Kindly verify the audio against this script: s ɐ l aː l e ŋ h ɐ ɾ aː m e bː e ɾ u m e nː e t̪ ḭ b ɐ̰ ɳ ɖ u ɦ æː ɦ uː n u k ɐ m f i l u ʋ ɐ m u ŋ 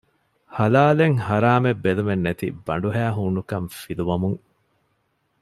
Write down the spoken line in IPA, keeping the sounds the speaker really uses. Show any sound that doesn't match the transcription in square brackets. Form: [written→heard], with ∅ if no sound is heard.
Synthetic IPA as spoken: [s→h] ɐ l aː l e ŋ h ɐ ɾ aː m e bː e [ɾ→l] u m e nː e t̪ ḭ b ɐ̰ ɳ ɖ u ɦ æː ɦ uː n u k ɐ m f i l u ʋ ɐ m u ŋ

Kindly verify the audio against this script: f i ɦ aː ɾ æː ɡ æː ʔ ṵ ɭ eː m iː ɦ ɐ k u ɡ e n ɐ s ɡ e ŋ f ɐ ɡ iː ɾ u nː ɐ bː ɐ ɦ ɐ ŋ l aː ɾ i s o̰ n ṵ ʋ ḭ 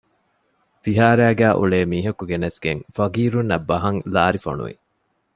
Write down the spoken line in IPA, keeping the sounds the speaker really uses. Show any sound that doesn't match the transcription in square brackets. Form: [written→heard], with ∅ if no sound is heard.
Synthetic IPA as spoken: f i ɦ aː ɾ æː ɡ æː ʔ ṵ ɭ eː m iː ɦ ɐ k u ɡ e n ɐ s ɡ e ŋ f ɐ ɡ iː ɾ u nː ɐ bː ɐ ɦ ɐ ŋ l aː ɾ i [s→f] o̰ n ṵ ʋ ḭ

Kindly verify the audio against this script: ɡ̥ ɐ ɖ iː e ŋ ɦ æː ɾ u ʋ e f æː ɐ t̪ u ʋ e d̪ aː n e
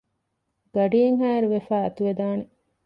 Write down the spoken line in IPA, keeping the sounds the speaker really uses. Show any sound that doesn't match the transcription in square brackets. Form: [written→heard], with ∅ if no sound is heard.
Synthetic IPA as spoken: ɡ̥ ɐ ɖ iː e ŋ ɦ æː ɾ u ʋ e f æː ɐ t̪ u ʋ e d̪ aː n e

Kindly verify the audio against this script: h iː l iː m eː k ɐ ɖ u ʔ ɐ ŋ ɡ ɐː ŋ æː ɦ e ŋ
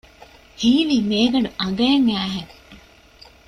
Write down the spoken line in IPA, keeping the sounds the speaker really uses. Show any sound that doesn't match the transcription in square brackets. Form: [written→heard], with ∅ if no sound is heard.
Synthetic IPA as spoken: h iː l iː m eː [k→ɡ] ɐ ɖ u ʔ ɐ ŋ ɡ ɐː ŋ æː ɦ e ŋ

